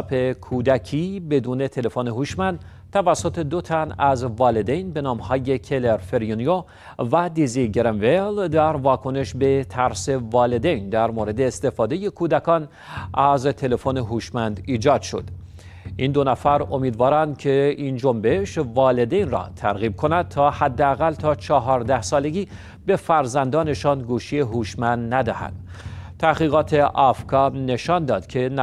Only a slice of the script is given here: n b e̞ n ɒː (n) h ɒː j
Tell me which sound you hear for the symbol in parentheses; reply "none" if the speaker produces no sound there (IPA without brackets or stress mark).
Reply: m